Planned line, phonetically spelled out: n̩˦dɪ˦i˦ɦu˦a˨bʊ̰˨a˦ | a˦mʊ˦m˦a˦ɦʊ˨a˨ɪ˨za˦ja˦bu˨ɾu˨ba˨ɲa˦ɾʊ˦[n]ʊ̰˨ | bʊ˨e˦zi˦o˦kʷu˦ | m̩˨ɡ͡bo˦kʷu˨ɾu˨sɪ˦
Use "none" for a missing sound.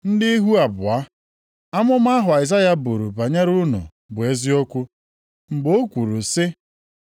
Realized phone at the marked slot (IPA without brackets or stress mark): n